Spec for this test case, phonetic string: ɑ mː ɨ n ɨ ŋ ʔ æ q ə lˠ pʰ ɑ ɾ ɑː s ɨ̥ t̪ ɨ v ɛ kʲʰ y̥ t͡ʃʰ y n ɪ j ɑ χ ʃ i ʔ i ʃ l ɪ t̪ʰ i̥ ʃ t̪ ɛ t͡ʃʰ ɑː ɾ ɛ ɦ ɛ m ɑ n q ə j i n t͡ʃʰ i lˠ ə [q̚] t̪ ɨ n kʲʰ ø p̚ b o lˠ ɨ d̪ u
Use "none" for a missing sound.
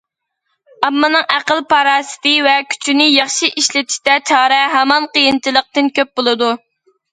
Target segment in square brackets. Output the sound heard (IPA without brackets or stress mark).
q̚